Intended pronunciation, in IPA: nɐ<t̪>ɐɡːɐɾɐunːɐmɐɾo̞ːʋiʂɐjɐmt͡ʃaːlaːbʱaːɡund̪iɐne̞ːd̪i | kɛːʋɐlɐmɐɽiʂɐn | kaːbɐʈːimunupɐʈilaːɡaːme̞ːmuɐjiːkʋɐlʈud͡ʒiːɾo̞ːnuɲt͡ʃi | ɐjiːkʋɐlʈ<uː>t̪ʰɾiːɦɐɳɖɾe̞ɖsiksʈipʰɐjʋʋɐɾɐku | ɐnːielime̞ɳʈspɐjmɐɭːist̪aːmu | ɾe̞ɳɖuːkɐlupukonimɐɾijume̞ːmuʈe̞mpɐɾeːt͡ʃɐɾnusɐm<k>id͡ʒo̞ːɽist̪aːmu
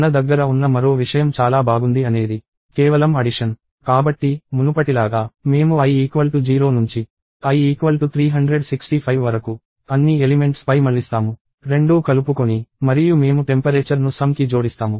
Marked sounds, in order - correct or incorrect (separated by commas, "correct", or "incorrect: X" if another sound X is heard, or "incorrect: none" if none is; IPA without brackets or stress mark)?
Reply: incorrect: d̪, incorrect: u, correct